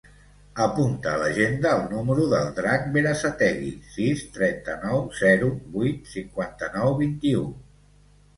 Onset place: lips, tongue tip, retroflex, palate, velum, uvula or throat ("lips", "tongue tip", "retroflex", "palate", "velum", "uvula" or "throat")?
lips